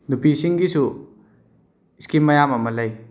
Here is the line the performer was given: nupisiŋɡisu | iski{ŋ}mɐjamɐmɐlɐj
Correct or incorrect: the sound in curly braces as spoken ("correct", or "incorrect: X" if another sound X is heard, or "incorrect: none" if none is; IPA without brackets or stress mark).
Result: incorrect: none